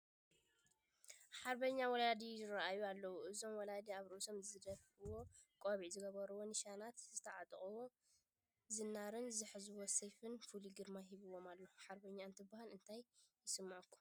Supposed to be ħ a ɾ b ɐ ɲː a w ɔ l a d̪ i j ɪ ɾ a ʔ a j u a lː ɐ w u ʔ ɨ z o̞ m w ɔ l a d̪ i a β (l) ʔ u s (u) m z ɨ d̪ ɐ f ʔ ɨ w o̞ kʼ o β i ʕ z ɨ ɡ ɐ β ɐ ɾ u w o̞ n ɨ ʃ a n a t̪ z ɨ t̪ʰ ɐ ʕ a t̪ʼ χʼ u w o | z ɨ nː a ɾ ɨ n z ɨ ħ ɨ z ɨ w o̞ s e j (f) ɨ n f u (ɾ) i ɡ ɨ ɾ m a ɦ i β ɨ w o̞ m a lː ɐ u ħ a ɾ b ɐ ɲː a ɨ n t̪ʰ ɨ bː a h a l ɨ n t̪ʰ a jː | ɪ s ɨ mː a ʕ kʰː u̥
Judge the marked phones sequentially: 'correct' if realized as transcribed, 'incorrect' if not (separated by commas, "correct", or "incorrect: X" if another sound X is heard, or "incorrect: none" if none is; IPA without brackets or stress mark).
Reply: incorrect: ɾ, incorrect: o, correct, incorrect: l